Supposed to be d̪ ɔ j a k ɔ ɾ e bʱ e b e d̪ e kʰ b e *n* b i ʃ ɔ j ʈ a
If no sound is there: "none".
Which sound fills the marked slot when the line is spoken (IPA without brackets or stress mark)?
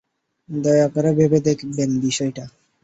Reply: n